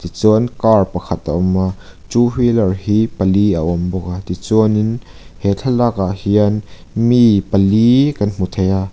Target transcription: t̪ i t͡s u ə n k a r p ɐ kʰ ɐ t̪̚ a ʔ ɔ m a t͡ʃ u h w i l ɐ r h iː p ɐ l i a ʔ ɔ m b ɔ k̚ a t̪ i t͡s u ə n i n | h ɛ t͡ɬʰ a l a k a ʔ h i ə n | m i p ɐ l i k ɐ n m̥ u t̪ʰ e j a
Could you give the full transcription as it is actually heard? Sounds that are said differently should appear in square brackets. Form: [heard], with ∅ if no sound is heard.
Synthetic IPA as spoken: t̪ i t͡s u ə n k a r p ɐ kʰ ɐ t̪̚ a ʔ ɔ m a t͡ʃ u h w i l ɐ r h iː p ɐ l i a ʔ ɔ m b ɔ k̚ a t̪ i t͡s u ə n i n | h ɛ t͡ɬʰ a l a k a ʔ h i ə n | m i p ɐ l i k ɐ n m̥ u t̪ʰ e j a